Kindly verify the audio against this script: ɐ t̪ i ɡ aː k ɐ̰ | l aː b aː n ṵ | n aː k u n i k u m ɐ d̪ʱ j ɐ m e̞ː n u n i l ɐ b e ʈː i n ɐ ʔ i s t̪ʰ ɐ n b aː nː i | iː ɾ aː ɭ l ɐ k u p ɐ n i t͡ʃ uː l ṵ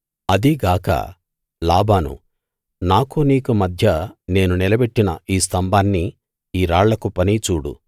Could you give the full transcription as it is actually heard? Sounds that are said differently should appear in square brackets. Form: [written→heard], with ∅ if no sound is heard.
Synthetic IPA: ɐ [t̪→d̪] i ɡ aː k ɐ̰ | l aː b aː n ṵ | n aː k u n [i→iː] k u m ɐ d̪ʱ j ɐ [m→n] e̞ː n u n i l ɐ b e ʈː i n ɐ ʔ [i→iː] s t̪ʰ ɐ [n→m] b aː nː i | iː ɾ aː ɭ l ɐ k u p ɐ n i t͡ʃ uː [l→ɽ] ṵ

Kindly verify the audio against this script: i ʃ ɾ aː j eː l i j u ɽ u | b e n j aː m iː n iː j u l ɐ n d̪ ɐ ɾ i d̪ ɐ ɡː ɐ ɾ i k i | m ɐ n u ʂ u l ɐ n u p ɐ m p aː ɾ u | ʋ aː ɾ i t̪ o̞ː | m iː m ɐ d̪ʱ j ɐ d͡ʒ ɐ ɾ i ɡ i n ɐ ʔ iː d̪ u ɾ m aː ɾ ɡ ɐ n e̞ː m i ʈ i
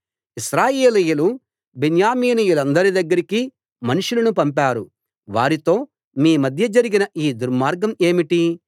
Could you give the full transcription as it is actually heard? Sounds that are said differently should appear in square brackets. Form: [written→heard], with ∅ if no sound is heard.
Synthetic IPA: i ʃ ɾ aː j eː l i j u [ɽ→l] u | b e n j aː m iː n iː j u l ɐ n d̪ ɐ ɾ i d̪ ɐ ɡː ɐ ɾ i k i | m ɐ n u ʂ u l ɐ n u p ɐ m p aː ɾ u | ʋ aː ɾ i t̪ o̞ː | m iː m ɐ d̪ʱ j ɐ d͡ʒ ɐ ɾ i ɡ i n ɐ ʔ iː d̪ u ɾ m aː ɾ ɡ ɐ [n→m] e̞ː m i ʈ i

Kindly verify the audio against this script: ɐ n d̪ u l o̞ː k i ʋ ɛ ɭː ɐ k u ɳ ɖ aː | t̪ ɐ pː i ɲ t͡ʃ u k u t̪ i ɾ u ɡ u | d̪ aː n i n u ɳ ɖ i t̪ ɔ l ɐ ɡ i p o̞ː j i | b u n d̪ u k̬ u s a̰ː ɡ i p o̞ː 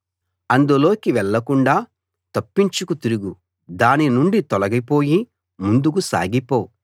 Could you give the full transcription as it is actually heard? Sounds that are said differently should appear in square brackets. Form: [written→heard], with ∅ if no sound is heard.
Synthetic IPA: ɐ n d̪ u l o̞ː k i ʋ ɛ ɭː ɐ k u ɳ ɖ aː | t̪ ɐ pː i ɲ t͡ʃ u k u t̪ i ɾ u ɡ u | d̪ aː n i n u ɳ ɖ i t̪ ɔ l ɐ ɡ i p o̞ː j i | [b→m] u n d̪ u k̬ u s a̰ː ɡ i p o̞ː

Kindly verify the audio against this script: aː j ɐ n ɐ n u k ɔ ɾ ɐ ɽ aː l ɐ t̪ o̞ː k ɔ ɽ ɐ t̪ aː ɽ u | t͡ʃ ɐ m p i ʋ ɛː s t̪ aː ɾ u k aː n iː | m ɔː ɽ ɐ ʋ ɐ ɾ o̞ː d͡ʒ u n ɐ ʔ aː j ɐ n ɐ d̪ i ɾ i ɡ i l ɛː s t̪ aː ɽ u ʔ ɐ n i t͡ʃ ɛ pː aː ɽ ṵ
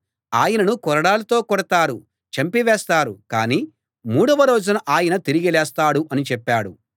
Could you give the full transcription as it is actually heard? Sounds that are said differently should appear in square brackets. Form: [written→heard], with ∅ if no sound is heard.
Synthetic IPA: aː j ɐ n ɐ n u k ɔ ɾ ɐ ɽ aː l ɐ t̪ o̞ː k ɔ ɽ ɐ t̪ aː [ɽ→ɾ] u | t͡ʃ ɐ m p i ʋ ɛː s t̪ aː ɾ u k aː n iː | m [ɔː→uː] ɽ ɐ ʋ ɐ ɾ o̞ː d͡ʒ u n ɐ ʔ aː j ɐ n ɐ [d̪→t̪] i ɾ i ɡ i l ɛː s t̪ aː ɽ u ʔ ɐ n i t͡ʃ ɛ pː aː ɽ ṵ

